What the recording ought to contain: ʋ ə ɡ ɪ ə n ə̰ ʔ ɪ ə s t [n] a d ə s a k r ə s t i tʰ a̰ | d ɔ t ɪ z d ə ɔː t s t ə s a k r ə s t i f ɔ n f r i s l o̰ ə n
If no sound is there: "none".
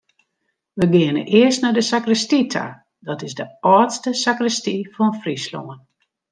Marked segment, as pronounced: n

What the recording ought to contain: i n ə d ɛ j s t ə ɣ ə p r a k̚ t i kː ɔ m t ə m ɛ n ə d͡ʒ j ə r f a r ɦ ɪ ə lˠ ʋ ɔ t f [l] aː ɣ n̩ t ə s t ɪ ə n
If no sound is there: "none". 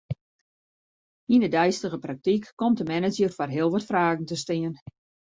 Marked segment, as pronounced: r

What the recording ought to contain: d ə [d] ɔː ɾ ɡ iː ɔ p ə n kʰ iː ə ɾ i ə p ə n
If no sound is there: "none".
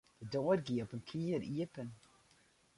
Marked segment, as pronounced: d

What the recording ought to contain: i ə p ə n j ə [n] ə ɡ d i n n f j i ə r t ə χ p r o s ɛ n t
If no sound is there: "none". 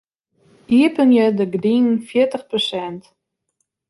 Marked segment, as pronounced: d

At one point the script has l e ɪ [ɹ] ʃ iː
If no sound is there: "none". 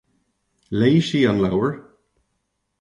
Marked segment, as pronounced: none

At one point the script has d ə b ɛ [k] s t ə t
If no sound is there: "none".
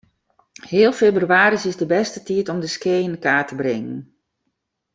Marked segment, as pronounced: none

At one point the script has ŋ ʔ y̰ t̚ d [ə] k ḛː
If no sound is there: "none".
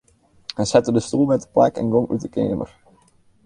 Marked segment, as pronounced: ə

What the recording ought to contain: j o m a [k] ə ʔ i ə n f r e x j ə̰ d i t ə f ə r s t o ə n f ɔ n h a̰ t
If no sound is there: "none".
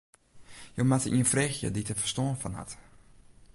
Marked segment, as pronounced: t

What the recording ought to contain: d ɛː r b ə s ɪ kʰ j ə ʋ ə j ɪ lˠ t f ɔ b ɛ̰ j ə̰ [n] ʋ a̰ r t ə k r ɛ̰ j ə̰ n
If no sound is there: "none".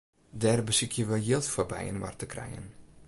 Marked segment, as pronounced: n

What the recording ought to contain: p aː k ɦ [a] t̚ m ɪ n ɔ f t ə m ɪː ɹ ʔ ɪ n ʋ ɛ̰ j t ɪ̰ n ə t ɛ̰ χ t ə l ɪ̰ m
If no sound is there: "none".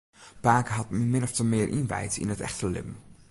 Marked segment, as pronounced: ɑ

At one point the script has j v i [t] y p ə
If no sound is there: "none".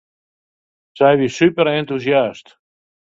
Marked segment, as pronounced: s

